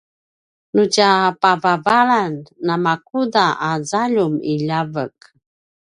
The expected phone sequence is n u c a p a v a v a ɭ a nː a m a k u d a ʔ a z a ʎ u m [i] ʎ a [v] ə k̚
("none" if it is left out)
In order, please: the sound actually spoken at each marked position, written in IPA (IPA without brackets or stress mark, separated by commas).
i, v